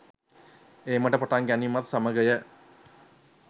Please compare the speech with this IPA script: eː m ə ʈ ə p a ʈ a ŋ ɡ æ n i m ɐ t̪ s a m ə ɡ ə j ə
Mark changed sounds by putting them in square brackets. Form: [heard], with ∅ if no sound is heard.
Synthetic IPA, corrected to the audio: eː m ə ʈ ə p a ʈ a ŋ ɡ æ n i m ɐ t̪ s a m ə ɡ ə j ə